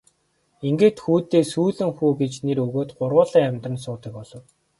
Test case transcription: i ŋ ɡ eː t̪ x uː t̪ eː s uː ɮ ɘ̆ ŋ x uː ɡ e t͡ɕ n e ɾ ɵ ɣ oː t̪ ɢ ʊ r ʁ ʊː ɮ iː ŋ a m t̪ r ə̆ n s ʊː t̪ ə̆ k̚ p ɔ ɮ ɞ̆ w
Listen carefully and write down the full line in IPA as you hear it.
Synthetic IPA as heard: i ŋ ɡ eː t̪ x uː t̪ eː s uː ɮ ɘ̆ ŋ x uː ɡ e t͡ɕ n e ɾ ɵ ɣ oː t̪ ɢ ʊ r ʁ ʊː ɮ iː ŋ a m t̪ r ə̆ n s ʊː t̪ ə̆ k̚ p ɔ ɮ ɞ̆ w

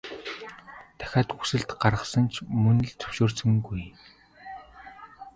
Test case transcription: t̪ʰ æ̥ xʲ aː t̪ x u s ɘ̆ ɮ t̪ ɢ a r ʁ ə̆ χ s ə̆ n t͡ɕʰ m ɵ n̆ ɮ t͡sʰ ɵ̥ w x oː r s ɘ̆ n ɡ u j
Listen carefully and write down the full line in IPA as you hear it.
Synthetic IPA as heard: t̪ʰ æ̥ xʲ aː t̪ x u s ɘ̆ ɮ t̪ ɢ a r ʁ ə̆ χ s ə̆ n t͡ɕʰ m ɵ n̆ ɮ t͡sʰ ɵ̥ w ʃ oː r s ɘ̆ ŋ ɡ u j

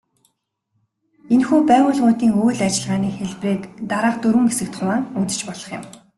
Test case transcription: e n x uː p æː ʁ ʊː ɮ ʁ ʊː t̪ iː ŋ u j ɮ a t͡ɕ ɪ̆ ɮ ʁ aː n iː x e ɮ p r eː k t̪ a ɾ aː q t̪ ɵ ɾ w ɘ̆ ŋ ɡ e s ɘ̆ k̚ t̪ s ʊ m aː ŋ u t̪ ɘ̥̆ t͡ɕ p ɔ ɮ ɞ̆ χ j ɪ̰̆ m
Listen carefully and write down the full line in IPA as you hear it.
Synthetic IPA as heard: e n x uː p æː ʁ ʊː ɮ ʁ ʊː t̪ iː ŋ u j ɮ a t͡ɕ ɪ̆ ɮ ʁ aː n iː x e ɮ p r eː k t̪ a ɾ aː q t̪ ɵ ɾ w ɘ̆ ŋ ɡ e s ɘ̆ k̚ t̪ χ ʊ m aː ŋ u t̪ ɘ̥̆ t͡ɕ p ɔ ɮ ɞ̆ χ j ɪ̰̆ m

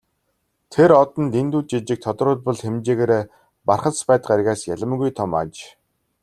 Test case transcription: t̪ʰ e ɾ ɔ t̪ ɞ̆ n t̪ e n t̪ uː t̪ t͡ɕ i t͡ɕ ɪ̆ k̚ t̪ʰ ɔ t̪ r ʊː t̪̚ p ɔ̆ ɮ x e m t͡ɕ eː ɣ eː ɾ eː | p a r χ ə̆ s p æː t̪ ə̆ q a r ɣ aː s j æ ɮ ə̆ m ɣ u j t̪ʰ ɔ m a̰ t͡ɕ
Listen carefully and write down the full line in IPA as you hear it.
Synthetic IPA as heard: t̪ʰ e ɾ ɔ t̪ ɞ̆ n t̪ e n t̪ uː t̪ t͡ɕ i t͡ɕ ɪ̆ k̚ t̪ʰ ɔ t̪ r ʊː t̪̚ p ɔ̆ ɮ x e m t͡ɕ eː ɣ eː ɾ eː | p a r χ ə̆ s p æː t̪ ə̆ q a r ɣ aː s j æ ɮ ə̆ m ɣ u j t̪ʰ ɔ m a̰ t͡ɕ

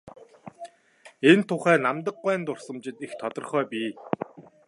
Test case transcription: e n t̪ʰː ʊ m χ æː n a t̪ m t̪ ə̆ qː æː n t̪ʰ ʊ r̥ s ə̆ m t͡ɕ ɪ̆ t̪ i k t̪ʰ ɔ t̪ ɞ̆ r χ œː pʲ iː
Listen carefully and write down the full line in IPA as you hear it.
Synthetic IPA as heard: e n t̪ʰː ʊ χ æː n a m t̪ ə̆ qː æː n t̪ ʊ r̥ s ə̆ m t͡ɕ ɪ̆ t̪ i x t̪ʰ ɔ t̪ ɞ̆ r χ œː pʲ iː

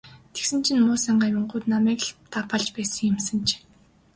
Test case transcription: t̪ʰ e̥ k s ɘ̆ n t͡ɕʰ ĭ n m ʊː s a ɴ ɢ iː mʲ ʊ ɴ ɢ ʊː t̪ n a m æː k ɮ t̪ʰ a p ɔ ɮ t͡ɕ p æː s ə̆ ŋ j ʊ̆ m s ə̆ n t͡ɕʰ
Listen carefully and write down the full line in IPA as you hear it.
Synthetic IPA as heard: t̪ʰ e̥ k s ɘ̆ n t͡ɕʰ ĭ n m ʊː s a ɴ ɢ aː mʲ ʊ ɴ ɢ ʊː t̪ n a m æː k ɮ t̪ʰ a p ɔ ɮ t͡ɕ p æː s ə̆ ŋ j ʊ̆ m s ə̆ n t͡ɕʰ

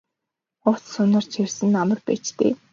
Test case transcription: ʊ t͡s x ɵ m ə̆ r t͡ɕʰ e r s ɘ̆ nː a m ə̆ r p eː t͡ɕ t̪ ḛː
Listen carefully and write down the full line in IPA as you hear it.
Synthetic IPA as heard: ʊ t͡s s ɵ n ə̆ r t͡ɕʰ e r s ɘ̆ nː a m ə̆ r p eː t͡ɕ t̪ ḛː

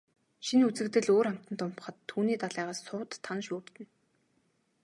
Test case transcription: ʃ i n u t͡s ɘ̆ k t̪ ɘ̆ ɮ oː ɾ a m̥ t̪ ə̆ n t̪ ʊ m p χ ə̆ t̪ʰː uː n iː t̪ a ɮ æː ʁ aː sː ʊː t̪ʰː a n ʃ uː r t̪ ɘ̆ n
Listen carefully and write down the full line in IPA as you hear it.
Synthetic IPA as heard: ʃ i n u t͡s ɘ̆ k t̪ ɘ̆ ɮ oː ɾ a m̥ t̪ ə̆ n t̪ ʊ m p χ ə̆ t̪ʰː uː n iː t̪ a ɮ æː ʁ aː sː ʊː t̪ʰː a n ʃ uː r t̪ ɘ̆ n

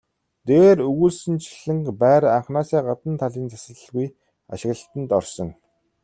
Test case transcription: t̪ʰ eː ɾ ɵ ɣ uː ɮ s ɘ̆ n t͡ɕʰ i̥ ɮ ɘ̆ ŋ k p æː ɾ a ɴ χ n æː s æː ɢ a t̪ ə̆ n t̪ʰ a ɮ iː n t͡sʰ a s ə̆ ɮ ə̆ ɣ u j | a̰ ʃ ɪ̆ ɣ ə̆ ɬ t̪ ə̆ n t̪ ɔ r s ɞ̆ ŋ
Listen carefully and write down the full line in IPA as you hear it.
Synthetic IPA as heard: t̪ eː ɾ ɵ ɣ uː ɮ s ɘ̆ n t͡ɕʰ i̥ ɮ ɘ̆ ŋ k p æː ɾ a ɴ χ n aː s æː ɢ a t̪ ə̆ n t̪ʰ a ɮ iː n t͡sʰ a s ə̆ ɮ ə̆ ɣ u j | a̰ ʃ ɪ̆ ɣ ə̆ ɬ t̪ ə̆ n t̪ ɔ r s ɞ̆ ŋ

